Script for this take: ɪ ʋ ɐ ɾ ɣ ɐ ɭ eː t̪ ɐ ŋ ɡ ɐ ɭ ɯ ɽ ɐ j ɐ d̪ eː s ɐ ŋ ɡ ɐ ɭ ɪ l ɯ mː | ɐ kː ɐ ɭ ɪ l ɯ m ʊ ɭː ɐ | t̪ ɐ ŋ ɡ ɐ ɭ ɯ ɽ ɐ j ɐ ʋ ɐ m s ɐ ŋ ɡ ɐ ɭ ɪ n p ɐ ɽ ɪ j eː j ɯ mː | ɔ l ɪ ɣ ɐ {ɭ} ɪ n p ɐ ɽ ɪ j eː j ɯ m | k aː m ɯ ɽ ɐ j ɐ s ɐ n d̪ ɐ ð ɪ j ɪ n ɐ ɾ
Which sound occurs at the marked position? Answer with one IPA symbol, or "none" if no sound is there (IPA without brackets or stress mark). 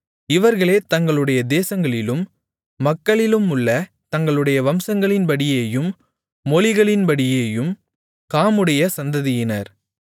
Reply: ɭ